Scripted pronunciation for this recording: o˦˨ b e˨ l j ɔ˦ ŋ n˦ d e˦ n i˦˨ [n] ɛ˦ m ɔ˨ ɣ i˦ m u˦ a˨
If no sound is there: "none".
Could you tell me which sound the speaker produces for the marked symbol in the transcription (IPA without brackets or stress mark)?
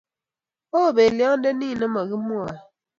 n